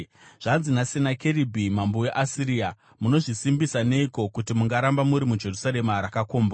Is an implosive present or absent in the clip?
absent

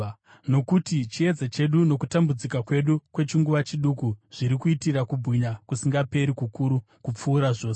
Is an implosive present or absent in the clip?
present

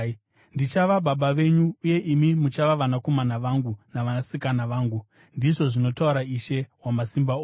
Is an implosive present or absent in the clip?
present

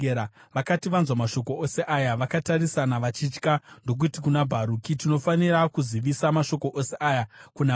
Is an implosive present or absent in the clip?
absent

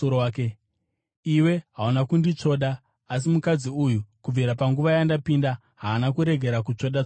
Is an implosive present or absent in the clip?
present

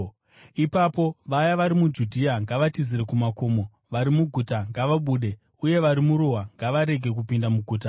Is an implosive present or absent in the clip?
present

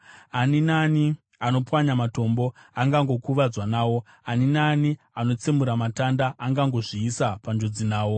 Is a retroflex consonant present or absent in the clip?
present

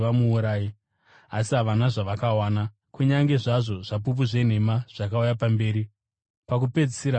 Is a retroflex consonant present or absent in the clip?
present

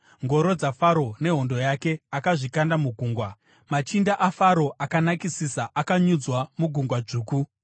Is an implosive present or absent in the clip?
absent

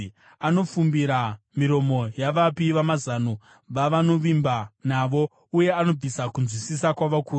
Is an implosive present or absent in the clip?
absent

